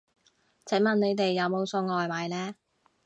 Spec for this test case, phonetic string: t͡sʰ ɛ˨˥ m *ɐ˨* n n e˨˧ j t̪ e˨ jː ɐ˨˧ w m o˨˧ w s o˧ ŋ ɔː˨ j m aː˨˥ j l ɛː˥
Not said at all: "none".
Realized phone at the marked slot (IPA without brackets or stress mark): ɐ˨